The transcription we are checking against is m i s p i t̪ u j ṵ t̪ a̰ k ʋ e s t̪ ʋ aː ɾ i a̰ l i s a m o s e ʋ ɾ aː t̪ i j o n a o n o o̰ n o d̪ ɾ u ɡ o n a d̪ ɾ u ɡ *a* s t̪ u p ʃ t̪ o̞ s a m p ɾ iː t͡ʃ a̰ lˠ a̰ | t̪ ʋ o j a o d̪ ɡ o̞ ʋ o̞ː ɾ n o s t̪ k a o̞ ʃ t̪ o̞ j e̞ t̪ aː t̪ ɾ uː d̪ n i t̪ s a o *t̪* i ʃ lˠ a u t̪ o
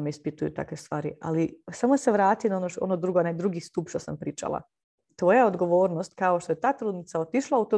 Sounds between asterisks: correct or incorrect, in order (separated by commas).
incorrect, correct